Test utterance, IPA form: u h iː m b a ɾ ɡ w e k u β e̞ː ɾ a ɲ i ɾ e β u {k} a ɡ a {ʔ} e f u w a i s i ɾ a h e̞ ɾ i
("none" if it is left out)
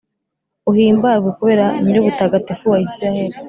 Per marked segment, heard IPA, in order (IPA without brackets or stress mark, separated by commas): t, t